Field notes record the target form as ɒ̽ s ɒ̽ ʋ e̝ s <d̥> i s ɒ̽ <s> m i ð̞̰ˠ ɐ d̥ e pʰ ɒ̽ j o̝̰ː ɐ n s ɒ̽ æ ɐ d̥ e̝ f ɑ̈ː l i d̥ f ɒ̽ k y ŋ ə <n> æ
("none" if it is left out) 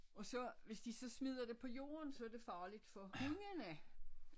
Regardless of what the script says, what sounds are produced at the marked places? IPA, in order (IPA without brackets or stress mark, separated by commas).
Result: d̥, s, n